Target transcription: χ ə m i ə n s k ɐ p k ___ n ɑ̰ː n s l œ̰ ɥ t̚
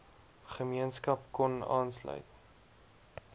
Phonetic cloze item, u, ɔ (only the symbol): ɔ